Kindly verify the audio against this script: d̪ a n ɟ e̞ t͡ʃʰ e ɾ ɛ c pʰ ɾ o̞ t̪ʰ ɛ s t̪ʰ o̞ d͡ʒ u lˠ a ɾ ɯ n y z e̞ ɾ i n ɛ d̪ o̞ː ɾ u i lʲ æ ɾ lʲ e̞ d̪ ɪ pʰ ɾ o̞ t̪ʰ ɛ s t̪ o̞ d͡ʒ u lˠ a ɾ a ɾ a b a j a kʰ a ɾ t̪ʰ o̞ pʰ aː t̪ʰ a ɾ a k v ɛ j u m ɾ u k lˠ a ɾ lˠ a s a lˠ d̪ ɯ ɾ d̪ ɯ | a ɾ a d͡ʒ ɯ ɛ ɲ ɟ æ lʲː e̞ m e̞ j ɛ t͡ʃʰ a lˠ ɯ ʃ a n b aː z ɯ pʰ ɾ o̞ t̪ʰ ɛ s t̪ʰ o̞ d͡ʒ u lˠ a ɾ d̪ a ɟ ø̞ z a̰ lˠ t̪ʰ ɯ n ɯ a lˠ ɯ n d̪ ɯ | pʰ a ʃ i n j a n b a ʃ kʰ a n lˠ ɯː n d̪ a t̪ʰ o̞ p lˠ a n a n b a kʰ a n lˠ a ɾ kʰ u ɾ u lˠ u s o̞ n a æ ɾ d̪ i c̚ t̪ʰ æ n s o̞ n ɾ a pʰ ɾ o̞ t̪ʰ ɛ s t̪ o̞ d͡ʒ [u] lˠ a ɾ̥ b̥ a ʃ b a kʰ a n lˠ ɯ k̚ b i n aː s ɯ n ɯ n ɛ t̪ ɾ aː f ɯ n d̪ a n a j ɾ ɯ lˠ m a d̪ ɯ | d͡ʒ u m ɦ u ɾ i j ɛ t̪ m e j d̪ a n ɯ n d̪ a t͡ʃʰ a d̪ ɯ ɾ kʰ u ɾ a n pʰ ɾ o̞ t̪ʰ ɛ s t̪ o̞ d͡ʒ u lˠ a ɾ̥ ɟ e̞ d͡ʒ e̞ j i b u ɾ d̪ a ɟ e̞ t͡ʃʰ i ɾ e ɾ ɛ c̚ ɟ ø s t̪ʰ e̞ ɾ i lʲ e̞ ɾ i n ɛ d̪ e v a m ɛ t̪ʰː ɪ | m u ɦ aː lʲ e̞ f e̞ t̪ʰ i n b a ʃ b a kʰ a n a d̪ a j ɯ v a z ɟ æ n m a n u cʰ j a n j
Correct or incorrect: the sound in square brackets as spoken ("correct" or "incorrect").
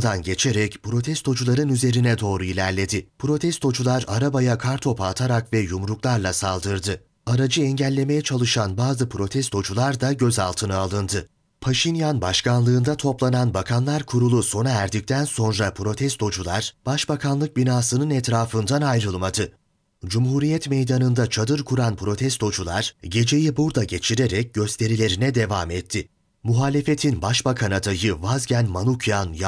correct